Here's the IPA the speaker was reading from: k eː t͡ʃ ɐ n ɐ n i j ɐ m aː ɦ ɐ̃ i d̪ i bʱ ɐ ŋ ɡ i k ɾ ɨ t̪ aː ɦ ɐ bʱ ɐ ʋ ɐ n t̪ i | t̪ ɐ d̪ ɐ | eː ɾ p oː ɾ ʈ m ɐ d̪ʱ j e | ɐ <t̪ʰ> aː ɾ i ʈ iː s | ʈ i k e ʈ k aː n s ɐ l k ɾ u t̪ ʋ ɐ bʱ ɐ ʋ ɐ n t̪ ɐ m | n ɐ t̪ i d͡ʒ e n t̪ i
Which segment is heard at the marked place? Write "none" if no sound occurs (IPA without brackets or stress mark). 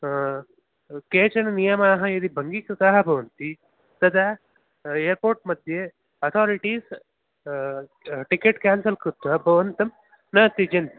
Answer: t̪ʰ